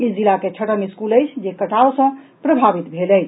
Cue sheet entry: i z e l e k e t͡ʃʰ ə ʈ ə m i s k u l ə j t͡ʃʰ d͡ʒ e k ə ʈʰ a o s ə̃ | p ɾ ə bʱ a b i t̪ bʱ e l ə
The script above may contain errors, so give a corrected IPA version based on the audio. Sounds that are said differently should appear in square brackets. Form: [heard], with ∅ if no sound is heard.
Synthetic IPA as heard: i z [i] l [a] k e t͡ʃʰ ə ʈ ə m i s k u l ə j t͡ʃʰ d͡ʒ e k ə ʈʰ a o s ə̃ | p ɾ ə bʱ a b i t̪ bʱ e l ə